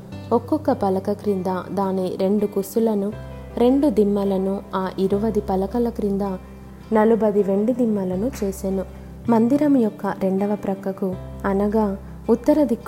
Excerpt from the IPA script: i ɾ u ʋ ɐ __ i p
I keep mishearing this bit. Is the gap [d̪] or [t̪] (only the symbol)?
d̪